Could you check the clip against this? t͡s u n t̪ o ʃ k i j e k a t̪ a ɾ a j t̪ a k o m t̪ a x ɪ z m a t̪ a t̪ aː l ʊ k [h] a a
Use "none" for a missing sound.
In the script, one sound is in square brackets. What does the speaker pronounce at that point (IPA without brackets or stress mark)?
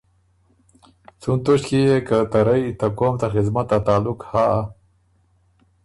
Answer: h